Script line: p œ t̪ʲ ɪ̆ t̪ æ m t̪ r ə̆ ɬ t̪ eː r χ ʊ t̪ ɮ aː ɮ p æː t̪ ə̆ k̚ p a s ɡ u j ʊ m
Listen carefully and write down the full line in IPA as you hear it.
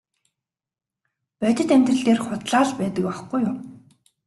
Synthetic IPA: p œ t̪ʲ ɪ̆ t̪ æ m t̪ r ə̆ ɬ t̪ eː r χ ʊ t̪ ɮ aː ɮ p æː t̪ ə̆ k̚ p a χ ɡ u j ʊ m

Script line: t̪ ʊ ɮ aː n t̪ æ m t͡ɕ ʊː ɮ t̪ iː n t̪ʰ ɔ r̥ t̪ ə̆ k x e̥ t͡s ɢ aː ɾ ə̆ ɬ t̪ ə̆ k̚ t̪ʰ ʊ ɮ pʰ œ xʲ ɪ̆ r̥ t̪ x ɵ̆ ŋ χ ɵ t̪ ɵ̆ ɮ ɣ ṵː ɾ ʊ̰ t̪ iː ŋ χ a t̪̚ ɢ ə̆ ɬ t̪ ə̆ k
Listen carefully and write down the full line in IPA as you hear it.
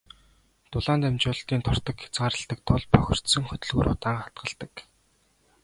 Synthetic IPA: t̪ ʊ ɮ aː n t̪ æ m t͡ɕ ʊː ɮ t̪ iː n t̪ʰ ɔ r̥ t̪ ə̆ k x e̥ t͡s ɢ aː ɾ ə̆ ɬ t̪ ə̆ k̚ t̪ʰ ʊ ɮ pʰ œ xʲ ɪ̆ r̥ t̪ s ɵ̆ ŋ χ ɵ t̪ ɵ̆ ɮ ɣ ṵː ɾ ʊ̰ t̪ aː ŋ χ a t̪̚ ɢ ə̆ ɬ t̪ ə̆ k

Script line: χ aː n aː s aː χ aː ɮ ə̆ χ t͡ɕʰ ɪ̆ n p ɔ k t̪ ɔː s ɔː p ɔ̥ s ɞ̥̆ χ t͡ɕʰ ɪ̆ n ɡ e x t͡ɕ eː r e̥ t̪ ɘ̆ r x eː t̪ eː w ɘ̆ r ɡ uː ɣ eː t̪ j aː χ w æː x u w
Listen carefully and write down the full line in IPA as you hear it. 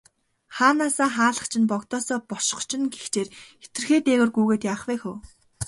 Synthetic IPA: χ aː n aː s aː χ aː ɮ ə̆ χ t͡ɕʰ ɪ̆ n p ɔ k t̪ ɔː s ɔː p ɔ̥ ʃ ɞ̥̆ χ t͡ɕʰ ɪ̆ n ɡ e x t͡ɕ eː r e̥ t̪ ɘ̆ r x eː t̪ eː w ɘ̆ r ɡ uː ɣ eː t̪ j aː χ w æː x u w

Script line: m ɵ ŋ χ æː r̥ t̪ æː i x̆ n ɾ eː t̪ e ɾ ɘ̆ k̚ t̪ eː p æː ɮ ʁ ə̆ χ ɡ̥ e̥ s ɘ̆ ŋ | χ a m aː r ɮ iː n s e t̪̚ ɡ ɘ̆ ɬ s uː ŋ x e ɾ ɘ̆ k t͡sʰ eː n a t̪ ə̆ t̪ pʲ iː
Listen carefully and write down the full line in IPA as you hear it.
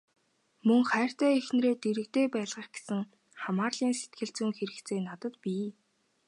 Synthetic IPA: m ɵ ŋ χ æː r̥ t̪ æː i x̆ n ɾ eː t̪ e ɾ ɘ̆ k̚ t̪ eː p æː ɮ ʁ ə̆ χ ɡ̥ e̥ s ɘ̆ ŋ | χ a m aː r ɮ iː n s e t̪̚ ɡ ɘ̆ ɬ t͡s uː ŋ x e ɾ ɘ̆ k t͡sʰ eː n a t̪ ə̆ t̪ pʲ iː

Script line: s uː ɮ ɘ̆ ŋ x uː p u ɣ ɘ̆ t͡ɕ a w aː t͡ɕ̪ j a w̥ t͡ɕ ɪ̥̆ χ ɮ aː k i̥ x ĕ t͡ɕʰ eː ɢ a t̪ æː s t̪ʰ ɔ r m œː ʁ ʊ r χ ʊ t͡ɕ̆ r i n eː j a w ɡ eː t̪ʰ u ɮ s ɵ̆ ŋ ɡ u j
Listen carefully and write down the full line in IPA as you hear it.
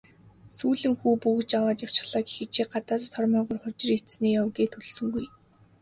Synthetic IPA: s uː ɮ ɘ̆ ŋ x uː p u ɣ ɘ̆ t͡ɕ a w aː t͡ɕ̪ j a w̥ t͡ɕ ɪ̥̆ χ ɮ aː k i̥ x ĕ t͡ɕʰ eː ɢ a t̪ aː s t̪ʰ ɔ r m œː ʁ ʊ r χ ʊ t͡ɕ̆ r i n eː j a w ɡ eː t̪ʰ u ɮ s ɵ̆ ŋ ɡ u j

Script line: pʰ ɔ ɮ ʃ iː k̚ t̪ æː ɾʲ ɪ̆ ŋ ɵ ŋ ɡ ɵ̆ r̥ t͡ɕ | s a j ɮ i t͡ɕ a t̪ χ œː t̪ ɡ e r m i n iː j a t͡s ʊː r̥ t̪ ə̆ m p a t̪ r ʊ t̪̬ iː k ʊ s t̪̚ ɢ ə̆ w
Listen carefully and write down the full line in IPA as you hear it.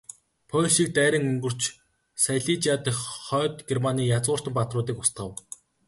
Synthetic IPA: pʰ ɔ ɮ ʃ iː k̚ t̪ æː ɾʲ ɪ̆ ŋ ɵ ŋ ɡ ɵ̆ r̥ t͡ɕ | s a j ɮ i t͡ɕ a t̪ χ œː t̪ ɡ e r m a n iː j a t͡s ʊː r̥ t̪ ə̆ m p a t̪ r ʊː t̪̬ iː k ʊ s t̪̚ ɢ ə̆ w

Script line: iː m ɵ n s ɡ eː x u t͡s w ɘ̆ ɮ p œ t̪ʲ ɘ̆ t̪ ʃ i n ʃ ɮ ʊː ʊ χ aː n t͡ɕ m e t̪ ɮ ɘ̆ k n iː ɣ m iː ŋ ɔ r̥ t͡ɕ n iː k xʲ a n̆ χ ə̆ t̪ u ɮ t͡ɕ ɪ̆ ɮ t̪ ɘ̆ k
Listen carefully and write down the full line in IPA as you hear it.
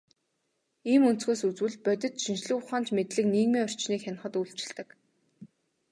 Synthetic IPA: iː m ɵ n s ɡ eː s u t͡s w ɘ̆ ɮ p œ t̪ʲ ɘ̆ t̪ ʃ i n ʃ ɮ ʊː ʊ χ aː n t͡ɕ m e t̪ ɮ ɘ̆ k n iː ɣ m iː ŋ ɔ r̥ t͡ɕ n iː k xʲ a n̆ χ ə̆ t̪ u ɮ t͡ɕ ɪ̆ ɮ t̪ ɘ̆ k

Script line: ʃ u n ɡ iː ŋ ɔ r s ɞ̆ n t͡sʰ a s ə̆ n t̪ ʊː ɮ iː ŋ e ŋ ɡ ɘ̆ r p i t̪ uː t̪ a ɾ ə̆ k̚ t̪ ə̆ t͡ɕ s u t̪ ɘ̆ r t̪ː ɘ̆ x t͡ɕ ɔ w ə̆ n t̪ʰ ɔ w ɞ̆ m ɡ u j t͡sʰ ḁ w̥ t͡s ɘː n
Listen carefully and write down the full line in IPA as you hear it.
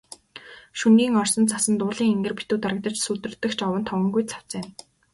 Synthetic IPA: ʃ u n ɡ iː ŋ ɔ r s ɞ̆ n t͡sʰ a s ə̆ n t̪ ʊː ɮ iː ŋ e ŋ ɡ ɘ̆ r p i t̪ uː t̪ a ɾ ə̆ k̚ t̪ ə̆ t͡ɕ s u t̪ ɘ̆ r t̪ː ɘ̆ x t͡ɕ ɔ w ə̆ n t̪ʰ ɔ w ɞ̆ ŋ ɡ u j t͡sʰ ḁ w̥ t͡s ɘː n

